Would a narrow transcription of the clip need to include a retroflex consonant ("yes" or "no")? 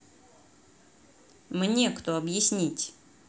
no